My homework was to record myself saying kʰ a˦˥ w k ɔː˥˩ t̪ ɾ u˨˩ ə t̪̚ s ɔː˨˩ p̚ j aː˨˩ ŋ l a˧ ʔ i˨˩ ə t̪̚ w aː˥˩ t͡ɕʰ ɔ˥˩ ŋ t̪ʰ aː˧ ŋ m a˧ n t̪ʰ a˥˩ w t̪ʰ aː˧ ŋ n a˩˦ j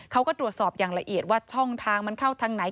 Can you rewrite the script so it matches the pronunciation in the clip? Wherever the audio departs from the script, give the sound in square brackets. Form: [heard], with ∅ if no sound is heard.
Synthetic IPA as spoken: kʰ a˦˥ w k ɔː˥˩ t̪ ɾ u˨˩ ə t̪̚ s ɔː˨˩ p̚ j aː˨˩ ŋ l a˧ ʔ i˨˩ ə t̪̚ w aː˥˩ t͡ɕʰ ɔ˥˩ ŋ t̪ʰ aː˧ ŋ m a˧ n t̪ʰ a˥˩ w t̪ʰ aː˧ ŋ n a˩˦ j